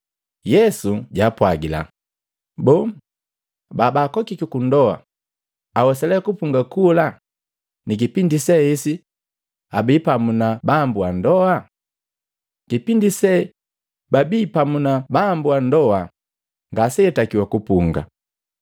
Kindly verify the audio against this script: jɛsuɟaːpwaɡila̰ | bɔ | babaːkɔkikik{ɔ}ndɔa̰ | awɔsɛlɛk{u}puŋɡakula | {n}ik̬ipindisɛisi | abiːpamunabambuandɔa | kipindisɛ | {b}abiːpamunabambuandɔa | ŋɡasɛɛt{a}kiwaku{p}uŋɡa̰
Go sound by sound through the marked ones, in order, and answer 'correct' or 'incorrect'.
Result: incorrect: u, correct, correct, correct, correct, correct

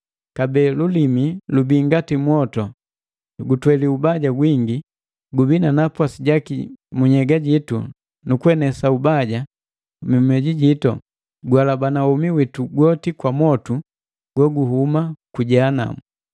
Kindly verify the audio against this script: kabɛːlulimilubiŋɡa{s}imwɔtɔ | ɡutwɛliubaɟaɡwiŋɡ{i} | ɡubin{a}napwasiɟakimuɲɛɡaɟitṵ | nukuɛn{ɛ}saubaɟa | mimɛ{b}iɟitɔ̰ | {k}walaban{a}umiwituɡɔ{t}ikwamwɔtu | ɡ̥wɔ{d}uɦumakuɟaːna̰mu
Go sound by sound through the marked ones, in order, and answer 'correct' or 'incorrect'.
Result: incorrect: t, correct, correct, correct, incorrect: ɟ, incorrect: ɡ, correct, correct, incorrect: ɡ

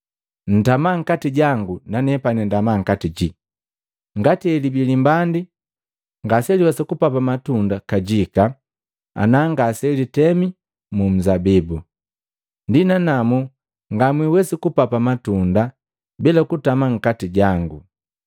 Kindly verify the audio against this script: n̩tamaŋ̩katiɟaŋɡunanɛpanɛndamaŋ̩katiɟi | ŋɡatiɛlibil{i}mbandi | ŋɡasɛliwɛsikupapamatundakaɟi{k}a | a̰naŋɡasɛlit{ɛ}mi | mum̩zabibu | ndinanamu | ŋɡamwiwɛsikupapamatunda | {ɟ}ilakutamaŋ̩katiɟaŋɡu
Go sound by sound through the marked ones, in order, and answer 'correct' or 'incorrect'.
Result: correct, correct, correct, incorrect: b

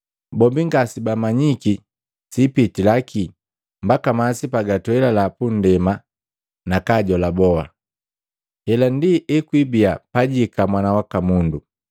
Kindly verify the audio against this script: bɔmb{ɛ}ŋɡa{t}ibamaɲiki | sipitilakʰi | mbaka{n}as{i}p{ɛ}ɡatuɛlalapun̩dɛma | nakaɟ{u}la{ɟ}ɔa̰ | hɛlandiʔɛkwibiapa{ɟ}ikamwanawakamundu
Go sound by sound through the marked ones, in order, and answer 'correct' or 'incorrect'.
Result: incorrect: i, incorrect: s, incorrect: m, correct, incorrect: a, incorrect: ɔ, incorrect: b, correct

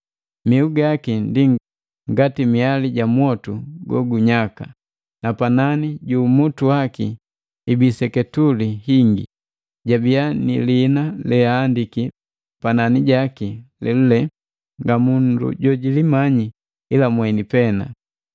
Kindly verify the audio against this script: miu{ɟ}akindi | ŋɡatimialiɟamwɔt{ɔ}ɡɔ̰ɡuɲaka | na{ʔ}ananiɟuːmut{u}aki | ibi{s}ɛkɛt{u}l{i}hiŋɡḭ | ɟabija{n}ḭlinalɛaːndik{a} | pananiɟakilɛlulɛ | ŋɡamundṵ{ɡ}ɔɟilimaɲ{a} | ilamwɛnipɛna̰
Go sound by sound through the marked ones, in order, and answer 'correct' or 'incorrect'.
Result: incorrect: ɡ, incorrect: u, incorrect: p, correct, correct, correct, correct, correct, incorrect: i, incorrect: ɟ, incorrect: i

